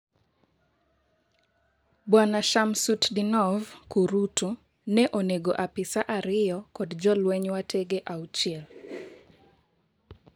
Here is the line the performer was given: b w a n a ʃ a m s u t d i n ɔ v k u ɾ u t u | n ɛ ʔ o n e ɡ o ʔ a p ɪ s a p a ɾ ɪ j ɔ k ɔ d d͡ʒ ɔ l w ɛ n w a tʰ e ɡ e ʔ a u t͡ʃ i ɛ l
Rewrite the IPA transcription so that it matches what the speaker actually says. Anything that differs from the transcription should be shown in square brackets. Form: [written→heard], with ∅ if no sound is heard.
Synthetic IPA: b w a n a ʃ a m s u t d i n ɔ v k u ɾ u t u | n ɛ ʔ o n e ɡ o ʔ a p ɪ s a [p→ʔ] a ɾ ɪ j ɔ k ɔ d d͡ʒ ɔ l w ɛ [n→ɲ] w a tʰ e ɡ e ʔ a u t͡ʃ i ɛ l